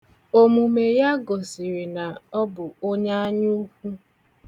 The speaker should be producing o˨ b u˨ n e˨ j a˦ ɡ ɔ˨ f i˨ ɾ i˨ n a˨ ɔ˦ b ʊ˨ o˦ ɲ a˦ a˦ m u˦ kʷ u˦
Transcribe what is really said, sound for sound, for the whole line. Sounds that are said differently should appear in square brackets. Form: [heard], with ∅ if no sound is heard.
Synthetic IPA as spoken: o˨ [m] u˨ [m] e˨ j a˦ ɡ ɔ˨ [s] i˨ ɾ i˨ n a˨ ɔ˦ b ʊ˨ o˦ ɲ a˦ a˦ [ɲ] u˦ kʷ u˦